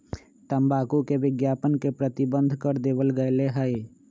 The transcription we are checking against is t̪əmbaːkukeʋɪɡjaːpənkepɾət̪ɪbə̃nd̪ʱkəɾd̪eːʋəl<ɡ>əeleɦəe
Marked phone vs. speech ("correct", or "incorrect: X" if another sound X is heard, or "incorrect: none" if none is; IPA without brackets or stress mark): correct